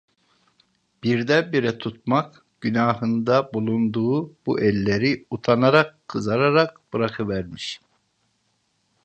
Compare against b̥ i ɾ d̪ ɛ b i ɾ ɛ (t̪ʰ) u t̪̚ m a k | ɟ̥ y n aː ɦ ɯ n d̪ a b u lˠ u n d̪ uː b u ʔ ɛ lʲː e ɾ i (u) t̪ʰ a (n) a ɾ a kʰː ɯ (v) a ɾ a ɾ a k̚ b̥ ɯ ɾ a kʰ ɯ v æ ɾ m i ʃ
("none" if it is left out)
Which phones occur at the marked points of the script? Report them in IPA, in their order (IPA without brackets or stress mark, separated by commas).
t̪ʰ, u, n, z